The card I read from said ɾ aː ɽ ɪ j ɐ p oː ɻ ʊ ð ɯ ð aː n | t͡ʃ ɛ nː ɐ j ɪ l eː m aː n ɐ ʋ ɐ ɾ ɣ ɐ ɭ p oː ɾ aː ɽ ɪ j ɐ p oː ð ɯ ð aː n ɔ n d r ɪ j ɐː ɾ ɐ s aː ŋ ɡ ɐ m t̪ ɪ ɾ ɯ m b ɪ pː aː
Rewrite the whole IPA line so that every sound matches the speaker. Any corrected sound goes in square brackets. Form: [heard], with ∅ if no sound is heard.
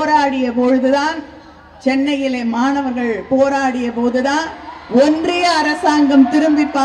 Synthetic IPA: ɾ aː ɽ ɪ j ɐ p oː ɻ [ɯ] ð ɯ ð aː n | t͡ʃ ɛ nː ɐ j ɪ l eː m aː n ɐ ʋ ɐ ɾ ɣ ɐ ɭ p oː ɾ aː ɽ ɪ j ɐ p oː ð ɯ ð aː n ɔ n d r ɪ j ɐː ɾ ɐ s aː ŋ ɡ ɐ m t̪ ɪ ɾ ɯ m b ɪ pː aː